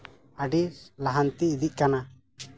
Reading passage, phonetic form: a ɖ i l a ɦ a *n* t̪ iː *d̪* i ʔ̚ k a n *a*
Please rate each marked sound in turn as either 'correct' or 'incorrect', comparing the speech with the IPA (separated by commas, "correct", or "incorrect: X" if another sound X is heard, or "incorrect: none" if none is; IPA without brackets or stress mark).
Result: correct, correct, correct